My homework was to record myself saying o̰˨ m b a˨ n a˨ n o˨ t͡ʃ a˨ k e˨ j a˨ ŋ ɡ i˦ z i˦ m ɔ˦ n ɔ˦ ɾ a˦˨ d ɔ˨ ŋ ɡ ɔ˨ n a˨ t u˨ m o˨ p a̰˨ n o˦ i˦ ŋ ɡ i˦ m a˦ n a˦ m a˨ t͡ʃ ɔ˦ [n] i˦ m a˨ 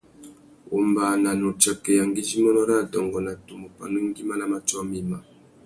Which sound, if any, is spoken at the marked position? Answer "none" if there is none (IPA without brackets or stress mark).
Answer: m